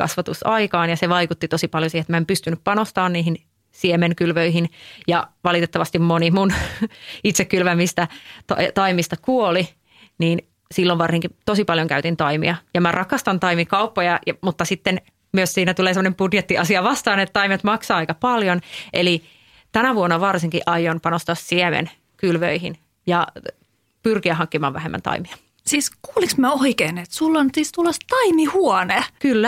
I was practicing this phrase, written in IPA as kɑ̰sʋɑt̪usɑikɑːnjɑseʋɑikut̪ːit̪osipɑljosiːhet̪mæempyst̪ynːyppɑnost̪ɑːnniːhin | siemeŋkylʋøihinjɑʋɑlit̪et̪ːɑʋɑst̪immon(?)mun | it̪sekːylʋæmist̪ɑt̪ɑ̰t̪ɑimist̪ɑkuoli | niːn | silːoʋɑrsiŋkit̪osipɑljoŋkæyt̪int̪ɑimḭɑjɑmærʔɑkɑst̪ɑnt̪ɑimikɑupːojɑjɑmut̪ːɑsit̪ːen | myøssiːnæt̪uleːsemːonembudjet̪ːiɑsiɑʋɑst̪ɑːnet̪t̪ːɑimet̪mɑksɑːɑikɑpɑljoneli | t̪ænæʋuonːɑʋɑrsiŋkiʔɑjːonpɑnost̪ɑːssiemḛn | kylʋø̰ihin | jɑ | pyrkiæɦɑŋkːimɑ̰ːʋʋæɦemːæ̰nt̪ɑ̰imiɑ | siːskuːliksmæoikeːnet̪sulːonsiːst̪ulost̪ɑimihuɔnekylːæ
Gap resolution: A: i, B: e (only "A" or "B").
A